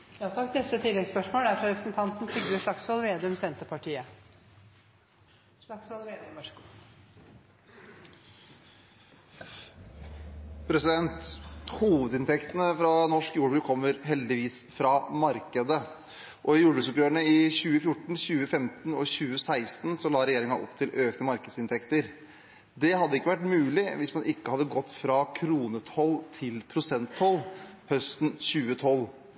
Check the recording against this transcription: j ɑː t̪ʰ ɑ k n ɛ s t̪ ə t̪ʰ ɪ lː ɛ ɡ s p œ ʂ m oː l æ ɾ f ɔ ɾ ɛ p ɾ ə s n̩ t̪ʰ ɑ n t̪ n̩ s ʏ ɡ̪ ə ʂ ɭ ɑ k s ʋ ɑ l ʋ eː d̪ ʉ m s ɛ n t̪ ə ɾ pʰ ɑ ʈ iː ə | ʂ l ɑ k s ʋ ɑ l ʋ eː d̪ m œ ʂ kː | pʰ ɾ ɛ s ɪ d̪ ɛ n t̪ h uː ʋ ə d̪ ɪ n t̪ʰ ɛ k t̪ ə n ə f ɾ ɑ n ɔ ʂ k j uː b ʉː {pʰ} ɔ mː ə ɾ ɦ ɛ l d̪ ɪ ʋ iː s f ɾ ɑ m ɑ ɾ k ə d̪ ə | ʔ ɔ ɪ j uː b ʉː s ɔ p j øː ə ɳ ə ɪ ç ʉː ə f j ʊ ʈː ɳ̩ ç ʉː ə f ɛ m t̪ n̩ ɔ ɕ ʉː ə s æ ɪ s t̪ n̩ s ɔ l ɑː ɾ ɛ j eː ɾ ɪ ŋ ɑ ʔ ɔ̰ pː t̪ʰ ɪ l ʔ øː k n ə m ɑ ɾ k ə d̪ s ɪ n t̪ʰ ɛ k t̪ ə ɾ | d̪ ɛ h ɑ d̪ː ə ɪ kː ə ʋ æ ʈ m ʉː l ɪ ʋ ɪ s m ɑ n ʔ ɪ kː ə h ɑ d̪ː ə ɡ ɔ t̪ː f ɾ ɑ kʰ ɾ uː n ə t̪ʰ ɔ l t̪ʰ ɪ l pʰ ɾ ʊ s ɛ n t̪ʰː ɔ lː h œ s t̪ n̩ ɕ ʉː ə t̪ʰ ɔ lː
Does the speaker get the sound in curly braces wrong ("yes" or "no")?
yes